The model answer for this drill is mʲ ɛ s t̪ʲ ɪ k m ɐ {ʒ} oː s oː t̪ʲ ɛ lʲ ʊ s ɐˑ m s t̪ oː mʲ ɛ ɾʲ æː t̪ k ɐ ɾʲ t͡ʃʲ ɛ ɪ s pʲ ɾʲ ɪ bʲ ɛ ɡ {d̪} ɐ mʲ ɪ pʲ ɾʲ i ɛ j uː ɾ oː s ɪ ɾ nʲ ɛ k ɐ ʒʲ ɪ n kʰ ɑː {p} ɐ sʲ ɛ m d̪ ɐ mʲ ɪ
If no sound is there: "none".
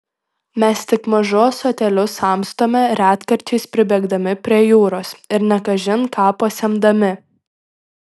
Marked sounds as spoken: ʒ, d̪, p

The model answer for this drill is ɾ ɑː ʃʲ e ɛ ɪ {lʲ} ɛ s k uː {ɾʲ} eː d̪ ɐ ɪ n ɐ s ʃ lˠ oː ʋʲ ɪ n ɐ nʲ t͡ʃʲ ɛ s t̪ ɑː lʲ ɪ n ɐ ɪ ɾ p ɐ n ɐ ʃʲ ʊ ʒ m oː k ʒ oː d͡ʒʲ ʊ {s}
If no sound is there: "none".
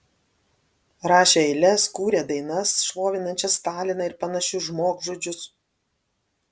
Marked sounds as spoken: lʲ, ɾʲ, s

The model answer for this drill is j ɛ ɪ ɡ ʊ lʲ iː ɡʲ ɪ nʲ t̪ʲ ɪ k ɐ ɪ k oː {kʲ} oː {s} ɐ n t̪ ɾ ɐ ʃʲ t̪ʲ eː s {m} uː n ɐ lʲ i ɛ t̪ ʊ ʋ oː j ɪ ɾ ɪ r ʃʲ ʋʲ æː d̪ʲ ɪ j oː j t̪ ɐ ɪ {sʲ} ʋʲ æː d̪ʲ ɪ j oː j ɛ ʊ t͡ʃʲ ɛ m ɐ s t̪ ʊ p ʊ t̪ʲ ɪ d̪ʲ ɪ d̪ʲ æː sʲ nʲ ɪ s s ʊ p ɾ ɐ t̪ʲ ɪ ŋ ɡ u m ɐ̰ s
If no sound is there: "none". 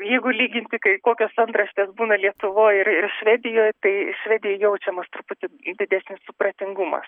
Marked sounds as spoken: kʲ, s, b, ʃʲ

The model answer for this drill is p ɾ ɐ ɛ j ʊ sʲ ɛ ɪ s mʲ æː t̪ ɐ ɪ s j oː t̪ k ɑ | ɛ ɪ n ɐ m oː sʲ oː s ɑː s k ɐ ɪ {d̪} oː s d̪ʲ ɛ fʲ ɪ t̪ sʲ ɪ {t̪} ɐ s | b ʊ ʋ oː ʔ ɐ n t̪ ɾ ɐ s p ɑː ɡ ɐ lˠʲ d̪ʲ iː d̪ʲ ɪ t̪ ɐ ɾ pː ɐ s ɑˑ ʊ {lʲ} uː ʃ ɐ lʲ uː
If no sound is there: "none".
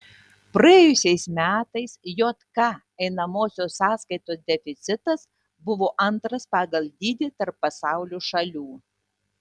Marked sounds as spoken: t̪, t̪, lʲ

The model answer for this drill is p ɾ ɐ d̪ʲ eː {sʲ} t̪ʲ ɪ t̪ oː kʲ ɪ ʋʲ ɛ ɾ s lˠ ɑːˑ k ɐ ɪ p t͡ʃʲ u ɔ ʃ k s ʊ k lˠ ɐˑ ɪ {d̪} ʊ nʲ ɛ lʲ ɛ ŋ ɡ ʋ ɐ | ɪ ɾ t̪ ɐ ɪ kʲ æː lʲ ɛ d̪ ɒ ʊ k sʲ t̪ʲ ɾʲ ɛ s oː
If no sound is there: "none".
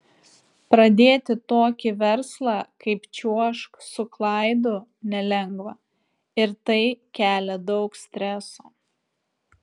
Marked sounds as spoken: none, d̪

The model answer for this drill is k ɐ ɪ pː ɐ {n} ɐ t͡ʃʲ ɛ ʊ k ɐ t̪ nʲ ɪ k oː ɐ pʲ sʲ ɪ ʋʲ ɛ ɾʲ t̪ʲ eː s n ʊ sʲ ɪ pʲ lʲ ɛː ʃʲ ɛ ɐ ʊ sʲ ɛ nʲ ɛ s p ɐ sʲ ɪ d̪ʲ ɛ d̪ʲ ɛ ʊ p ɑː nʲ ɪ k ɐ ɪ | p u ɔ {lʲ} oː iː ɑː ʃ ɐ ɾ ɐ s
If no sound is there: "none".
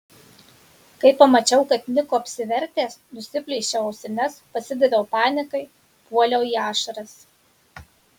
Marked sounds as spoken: m, lʲ

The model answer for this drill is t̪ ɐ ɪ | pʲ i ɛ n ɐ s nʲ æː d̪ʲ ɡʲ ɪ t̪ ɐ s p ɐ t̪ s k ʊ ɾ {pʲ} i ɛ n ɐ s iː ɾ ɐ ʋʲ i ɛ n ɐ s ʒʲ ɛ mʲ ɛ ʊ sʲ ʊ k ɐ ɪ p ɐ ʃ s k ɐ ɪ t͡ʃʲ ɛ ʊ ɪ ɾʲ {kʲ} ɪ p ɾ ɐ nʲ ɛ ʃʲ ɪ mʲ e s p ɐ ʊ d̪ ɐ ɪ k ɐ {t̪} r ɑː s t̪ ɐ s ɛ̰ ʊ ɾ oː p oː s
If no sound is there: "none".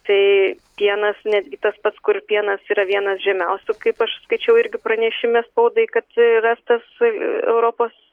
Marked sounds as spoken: pʲ, ɡʲ, t̪

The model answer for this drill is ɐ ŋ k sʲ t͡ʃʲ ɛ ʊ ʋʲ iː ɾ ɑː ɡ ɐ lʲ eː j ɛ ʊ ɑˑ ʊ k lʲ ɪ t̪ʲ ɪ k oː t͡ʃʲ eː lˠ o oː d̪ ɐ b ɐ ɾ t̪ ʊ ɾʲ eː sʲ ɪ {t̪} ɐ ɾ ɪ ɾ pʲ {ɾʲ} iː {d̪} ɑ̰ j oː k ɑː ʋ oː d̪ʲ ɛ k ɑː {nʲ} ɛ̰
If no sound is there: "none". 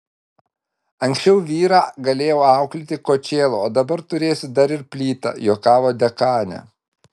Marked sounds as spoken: d̪, lʲ, t̪, nʲ

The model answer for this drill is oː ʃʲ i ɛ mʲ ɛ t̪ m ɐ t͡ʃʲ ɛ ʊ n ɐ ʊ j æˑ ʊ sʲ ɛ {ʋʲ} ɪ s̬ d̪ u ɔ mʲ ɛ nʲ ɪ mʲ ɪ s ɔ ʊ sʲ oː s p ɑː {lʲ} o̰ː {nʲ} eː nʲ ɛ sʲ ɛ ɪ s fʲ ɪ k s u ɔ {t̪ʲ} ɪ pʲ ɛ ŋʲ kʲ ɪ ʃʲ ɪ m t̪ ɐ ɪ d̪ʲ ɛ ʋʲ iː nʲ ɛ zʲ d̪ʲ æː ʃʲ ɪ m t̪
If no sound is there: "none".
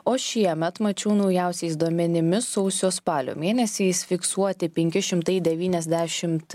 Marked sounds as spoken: none, lʲ, mʲ, t̪ʲ

